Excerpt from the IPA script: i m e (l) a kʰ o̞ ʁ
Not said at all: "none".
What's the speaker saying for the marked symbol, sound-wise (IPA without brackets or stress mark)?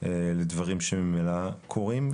l